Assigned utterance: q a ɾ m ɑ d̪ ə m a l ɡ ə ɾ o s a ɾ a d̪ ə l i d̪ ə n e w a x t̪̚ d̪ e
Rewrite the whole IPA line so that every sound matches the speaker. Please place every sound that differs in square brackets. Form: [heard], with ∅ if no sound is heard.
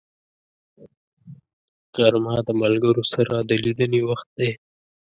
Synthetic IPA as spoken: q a ɾ m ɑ d̪ ə m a l ɡ ə ɾ o s a ɾ a d̪ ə l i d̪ ə n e w a x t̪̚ d̪ e